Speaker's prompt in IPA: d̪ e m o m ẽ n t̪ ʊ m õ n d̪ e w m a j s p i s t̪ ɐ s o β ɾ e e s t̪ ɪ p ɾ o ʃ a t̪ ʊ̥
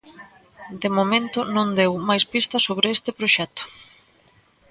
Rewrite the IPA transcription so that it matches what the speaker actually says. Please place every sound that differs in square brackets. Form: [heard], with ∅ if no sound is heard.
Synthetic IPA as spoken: d̪ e m o m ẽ n t̪ ʊ [n] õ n d̪ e w m a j s p i s t̪ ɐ s o β ɾ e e s t̪ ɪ p ɾ o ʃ [ɛ] t̪ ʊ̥